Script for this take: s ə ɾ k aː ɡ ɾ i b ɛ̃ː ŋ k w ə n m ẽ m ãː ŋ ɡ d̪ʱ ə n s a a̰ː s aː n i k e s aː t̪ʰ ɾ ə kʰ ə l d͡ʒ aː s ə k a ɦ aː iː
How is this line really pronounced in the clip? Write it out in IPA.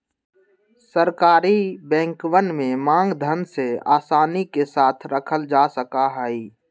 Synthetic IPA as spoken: s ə ɾ k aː ɾ i b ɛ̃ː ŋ k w ə n m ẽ m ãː ŋ ɡ d̪ʱ ə n s e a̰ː s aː n i k e s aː t̪ʰ ɾ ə kʰ ə l d͡ʒ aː s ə k a ɦ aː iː